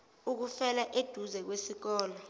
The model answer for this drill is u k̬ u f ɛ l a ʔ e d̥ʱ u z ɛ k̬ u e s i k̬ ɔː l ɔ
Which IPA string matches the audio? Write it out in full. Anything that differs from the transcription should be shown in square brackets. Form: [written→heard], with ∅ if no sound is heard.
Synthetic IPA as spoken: u k̬ u f ɛ l a ʔ e d̥ʱ u z ɛ k̬ [u→w] e s i k̬ ɔː l ɔ